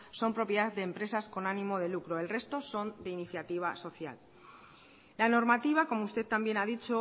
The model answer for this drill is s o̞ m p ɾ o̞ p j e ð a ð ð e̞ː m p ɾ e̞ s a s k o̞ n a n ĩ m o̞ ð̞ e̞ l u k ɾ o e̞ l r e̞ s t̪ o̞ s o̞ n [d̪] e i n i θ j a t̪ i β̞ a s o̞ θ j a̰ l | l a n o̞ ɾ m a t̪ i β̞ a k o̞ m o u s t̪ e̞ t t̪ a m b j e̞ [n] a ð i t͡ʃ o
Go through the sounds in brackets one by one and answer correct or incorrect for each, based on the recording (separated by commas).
correct, correct